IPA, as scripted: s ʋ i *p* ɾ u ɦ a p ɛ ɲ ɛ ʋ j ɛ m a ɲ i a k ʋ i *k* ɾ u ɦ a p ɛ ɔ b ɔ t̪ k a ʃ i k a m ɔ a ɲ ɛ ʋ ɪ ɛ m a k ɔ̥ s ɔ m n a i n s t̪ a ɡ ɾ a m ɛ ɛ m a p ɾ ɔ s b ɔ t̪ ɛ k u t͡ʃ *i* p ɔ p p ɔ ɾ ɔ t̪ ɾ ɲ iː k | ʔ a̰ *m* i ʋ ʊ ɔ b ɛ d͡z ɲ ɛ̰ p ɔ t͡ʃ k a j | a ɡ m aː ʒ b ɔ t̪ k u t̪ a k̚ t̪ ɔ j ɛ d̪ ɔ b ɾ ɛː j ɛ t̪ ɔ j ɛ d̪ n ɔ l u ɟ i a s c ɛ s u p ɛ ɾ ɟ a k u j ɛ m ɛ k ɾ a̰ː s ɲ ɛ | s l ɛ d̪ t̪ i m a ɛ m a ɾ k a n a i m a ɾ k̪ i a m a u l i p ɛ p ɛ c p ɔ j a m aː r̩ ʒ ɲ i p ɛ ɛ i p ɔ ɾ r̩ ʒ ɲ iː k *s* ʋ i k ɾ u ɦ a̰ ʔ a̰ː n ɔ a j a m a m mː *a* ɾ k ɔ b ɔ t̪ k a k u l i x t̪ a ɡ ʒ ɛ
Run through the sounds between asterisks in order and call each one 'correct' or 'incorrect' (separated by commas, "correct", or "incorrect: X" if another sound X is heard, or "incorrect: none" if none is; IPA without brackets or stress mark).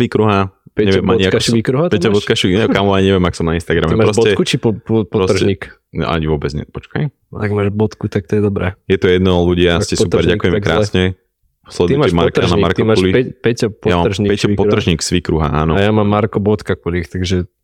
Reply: incorrect: k, correct, correct, incorrect: ɲ, correct, correct